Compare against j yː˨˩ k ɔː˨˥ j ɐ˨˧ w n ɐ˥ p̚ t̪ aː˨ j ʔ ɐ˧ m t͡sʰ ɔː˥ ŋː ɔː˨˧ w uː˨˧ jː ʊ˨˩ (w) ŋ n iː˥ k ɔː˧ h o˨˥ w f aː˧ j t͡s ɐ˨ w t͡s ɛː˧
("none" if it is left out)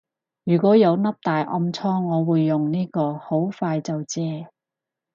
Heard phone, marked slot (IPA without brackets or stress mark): none